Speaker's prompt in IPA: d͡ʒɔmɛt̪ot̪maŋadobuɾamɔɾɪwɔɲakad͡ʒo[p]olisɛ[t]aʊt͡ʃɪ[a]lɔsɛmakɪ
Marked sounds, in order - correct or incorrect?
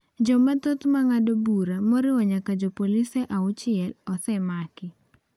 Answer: correct, incorrect, incorrect

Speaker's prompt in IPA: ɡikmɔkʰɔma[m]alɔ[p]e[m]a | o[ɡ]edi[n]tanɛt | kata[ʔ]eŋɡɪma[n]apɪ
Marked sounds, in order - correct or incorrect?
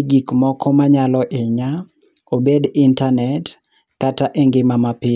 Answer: incorrect, incorrect, incorrect, incorrect, correct, correct, incorrect

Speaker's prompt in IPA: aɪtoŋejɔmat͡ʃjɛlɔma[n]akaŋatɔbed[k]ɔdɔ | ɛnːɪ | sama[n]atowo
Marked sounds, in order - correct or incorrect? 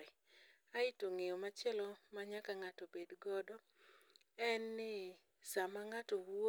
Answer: incorrect, incorrect, incorrect

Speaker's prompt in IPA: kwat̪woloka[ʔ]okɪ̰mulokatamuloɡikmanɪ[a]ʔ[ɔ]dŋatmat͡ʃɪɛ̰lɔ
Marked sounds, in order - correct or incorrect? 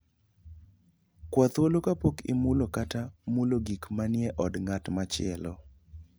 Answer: incorrect, incorrect, correct

